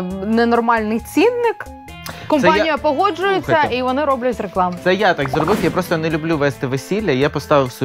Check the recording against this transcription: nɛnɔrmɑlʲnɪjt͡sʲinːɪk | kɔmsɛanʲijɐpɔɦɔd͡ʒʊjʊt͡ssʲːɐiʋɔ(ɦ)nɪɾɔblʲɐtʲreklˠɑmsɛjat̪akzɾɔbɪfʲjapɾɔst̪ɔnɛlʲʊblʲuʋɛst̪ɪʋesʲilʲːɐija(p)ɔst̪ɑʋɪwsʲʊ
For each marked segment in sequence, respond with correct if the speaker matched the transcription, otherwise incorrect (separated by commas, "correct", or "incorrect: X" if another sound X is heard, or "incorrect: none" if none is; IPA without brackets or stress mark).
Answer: incorrect: none, correct